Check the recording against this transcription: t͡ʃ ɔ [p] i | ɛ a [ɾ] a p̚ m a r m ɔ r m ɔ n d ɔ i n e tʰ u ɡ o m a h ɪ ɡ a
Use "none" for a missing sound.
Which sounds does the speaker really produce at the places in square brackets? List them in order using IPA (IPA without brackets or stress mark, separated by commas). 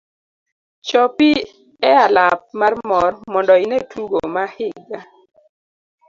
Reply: p, l